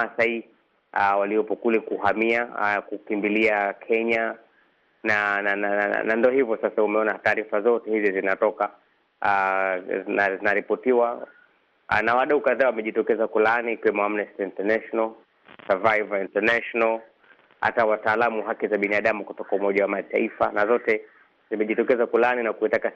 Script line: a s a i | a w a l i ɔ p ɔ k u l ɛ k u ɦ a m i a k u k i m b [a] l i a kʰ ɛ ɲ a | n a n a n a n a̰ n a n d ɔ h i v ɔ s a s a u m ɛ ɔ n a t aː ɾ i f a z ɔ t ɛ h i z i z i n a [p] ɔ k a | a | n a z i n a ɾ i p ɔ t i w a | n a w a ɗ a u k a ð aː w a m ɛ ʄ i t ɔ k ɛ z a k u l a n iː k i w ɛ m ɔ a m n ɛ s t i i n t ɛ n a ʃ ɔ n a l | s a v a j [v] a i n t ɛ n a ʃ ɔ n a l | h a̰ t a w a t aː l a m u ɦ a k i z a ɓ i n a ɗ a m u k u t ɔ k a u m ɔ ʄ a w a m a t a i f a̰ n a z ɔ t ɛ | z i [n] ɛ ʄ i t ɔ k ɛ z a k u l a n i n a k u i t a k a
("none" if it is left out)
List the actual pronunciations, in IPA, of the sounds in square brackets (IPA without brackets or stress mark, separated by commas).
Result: i, t, v, m